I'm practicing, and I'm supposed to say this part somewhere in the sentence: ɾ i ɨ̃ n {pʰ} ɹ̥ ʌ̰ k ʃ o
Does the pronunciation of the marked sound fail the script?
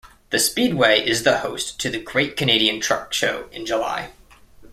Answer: yes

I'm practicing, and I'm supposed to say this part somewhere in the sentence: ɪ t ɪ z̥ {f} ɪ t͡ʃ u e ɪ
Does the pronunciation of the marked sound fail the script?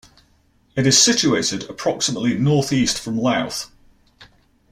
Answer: yes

